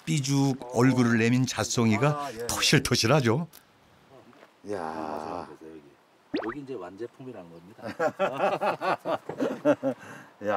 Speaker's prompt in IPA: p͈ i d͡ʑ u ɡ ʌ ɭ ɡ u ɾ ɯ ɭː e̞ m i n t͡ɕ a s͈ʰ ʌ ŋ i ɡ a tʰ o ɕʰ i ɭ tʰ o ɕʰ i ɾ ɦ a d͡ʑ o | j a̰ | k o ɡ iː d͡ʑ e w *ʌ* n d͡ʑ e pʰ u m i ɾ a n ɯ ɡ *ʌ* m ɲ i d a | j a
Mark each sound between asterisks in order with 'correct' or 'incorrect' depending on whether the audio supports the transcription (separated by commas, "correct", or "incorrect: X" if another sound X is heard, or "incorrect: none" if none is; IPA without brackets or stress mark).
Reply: incorrect: a, correct